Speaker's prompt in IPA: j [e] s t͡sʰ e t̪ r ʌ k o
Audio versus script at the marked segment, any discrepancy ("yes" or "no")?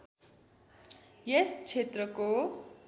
no